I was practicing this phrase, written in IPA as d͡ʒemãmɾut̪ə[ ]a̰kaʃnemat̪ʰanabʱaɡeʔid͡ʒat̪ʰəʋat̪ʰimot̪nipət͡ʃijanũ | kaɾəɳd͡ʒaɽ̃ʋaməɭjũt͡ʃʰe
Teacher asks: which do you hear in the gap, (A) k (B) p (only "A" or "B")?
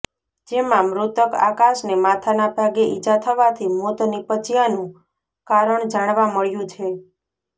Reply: A